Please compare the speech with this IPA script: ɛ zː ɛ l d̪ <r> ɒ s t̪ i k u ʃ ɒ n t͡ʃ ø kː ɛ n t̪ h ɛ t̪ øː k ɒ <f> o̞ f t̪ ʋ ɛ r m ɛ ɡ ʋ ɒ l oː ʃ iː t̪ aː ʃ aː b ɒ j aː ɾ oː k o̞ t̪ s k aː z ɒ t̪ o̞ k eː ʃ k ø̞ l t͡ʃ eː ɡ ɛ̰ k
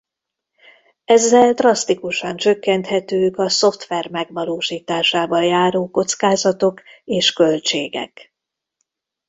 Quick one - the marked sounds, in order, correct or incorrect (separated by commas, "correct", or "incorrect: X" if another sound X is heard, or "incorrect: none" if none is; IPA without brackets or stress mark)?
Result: correct, incorrect: s